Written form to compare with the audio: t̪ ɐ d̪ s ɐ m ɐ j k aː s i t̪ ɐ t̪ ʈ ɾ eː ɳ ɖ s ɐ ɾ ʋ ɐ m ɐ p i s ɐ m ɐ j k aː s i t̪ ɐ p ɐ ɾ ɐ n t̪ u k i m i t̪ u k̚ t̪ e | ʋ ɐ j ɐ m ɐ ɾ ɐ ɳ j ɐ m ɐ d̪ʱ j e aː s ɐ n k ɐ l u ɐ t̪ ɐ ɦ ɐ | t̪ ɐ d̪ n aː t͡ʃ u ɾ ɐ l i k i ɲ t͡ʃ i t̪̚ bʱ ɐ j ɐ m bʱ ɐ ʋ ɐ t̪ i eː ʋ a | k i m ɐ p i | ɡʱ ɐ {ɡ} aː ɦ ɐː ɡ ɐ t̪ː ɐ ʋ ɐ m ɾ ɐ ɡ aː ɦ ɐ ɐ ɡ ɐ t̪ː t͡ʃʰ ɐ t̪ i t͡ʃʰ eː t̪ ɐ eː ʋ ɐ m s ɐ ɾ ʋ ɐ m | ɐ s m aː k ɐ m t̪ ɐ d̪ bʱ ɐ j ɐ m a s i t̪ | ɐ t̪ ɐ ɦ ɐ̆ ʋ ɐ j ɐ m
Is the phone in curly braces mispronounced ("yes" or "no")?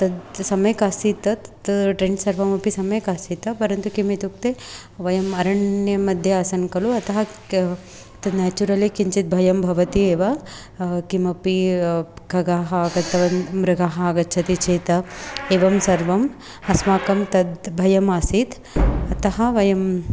no